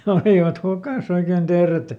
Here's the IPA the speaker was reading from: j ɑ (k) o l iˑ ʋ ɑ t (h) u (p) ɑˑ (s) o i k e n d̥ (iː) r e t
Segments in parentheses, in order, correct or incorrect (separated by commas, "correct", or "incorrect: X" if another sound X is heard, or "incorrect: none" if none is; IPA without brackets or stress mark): incorrect: none, correct, incorrect: k, correct, incorrect: eː